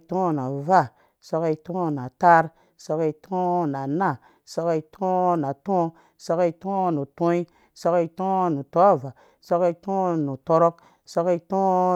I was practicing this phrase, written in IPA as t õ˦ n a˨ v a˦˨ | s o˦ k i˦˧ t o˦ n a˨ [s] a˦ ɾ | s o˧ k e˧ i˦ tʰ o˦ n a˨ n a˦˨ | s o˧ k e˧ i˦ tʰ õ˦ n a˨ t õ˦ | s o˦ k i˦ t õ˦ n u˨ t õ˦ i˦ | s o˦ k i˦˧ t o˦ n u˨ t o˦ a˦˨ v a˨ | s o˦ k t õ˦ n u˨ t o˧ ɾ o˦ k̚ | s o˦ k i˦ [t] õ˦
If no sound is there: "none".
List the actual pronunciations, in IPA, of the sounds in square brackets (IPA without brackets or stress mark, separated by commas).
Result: t, t